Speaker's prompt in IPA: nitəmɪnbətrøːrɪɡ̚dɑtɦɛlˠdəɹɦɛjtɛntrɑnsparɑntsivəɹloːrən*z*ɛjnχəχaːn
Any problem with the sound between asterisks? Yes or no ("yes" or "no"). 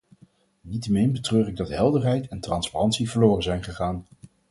no